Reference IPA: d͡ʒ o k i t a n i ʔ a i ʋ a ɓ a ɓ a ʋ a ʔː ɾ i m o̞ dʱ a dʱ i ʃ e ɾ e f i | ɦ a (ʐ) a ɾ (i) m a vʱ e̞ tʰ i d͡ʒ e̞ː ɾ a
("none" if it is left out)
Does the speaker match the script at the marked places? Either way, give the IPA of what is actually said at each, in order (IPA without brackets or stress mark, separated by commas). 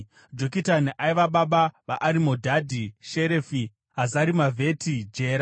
z, i